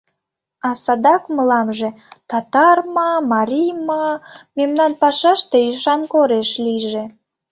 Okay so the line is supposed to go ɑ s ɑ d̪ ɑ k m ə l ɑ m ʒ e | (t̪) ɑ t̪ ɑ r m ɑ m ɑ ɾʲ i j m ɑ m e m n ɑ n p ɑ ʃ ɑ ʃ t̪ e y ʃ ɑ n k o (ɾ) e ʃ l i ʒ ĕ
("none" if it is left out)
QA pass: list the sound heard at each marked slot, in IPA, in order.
t̪, ɾ

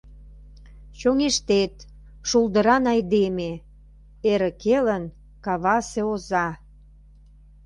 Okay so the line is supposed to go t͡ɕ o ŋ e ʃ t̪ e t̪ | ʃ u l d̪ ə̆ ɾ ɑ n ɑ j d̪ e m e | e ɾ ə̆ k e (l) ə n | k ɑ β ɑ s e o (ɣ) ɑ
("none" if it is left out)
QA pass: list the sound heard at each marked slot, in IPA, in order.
l, z

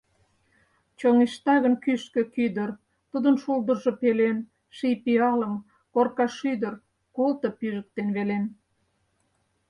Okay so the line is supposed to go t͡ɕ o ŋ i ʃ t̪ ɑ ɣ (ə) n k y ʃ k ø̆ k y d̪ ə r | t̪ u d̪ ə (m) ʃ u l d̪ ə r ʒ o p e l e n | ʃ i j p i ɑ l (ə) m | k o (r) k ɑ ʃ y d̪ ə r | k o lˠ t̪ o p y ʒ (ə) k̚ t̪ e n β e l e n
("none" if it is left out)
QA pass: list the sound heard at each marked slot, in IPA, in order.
ə, n, ə, r, ə

